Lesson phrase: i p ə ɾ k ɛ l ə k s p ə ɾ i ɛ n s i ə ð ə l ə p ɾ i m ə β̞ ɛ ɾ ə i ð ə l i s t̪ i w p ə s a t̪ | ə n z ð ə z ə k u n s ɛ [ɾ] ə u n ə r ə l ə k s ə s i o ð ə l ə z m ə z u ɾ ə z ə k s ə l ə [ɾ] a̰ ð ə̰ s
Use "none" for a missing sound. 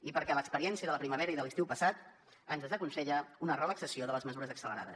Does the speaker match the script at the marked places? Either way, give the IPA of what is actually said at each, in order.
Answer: ʎ, ɾ

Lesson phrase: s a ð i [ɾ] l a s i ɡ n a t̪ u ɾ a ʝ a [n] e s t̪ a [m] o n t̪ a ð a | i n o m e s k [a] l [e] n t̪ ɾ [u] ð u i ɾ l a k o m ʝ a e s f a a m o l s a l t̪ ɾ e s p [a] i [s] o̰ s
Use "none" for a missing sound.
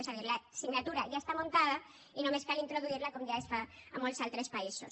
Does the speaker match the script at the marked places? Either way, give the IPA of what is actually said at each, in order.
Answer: ɾ, none, m, a, i, o, a, s

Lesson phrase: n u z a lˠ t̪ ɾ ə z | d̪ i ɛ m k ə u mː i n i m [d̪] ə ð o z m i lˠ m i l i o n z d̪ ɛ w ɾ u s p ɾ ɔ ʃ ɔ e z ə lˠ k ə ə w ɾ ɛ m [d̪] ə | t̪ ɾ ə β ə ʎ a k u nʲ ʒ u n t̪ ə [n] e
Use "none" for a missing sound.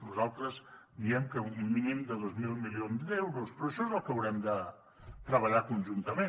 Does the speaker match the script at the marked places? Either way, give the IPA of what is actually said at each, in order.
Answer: d̪, d̪, m

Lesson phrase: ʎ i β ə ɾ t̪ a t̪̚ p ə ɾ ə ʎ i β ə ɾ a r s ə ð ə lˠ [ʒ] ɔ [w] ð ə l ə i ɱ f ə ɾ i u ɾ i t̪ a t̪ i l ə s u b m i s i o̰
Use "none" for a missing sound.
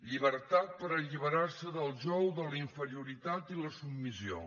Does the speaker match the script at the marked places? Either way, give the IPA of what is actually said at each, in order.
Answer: ʒ, w

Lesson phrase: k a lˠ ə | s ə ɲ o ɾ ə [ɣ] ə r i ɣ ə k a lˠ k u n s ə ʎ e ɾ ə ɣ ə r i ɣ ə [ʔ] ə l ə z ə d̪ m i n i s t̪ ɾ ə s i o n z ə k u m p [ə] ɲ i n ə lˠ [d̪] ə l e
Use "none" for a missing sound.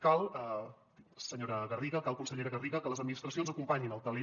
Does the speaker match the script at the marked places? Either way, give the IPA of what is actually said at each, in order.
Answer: ɣ, k, a, t̪

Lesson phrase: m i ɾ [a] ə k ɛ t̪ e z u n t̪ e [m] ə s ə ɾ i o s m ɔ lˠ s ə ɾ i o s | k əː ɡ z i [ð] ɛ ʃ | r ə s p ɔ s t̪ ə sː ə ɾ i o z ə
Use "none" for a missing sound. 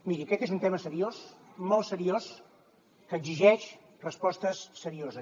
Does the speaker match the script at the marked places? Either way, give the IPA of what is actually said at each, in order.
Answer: i, m, ʒ

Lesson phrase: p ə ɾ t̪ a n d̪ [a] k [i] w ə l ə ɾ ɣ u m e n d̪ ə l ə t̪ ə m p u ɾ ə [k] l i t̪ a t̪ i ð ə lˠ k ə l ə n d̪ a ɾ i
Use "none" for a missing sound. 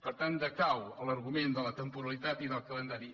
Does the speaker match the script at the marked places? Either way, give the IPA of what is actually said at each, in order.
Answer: ə, a, none

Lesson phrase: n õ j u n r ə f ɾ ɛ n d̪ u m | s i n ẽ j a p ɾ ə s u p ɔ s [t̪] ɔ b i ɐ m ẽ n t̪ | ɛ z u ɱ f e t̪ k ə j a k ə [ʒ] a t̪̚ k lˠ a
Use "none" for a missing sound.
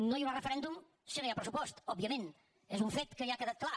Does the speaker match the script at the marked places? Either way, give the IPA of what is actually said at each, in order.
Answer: t̪, ð

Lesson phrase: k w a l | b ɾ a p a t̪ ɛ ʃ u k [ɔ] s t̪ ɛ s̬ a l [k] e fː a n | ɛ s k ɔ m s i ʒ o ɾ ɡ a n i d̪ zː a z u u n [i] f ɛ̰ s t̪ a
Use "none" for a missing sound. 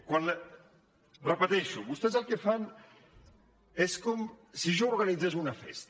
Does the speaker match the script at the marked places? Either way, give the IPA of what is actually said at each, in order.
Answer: u, k, a

